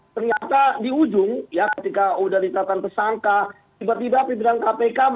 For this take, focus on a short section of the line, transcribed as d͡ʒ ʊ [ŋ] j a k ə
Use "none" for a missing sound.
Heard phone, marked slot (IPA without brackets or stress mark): ŋ